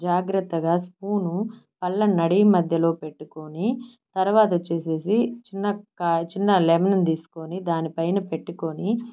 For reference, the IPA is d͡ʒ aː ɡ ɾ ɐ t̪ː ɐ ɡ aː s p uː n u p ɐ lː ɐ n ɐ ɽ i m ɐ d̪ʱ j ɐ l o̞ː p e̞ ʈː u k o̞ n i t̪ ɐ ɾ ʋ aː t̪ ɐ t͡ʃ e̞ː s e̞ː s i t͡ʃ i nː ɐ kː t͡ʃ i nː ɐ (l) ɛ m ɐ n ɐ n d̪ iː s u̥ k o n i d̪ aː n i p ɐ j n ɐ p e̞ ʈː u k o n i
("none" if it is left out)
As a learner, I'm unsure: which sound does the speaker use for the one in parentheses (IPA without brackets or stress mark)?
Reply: l